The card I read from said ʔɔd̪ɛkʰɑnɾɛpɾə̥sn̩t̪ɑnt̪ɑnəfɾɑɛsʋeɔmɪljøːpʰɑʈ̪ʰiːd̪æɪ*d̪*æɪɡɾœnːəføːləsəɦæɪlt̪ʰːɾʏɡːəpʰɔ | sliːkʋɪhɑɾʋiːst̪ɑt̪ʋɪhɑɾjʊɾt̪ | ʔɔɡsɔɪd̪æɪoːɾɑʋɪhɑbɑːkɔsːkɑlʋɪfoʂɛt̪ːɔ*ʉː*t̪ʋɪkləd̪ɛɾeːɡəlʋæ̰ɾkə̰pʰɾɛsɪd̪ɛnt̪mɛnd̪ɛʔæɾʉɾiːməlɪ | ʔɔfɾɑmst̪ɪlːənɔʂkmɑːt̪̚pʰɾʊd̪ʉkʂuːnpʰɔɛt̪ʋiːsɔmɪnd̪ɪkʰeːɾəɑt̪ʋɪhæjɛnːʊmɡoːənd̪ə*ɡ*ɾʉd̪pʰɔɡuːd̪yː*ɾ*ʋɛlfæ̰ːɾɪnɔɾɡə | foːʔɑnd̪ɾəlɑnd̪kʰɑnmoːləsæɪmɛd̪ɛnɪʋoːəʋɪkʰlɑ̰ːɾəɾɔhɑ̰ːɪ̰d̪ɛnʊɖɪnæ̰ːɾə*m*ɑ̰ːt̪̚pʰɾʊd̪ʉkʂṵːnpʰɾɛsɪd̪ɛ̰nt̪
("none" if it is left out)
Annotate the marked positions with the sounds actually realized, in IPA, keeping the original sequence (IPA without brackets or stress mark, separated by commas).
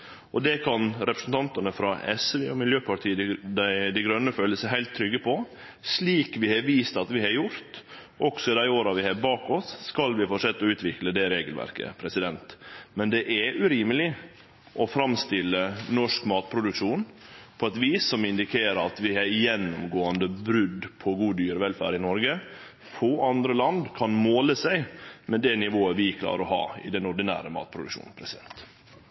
d̪, ʉː, b, ɾ, m